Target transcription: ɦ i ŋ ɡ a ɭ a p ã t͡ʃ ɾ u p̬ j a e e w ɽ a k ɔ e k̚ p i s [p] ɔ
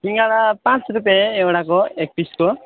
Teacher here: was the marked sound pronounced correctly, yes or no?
no